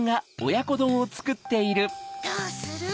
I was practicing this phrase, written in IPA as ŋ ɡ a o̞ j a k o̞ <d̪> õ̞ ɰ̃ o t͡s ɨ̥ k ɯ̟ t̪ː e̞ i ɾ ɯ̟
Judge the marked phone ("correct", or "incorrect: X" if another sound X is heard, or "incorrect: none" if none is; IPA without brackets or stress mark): correct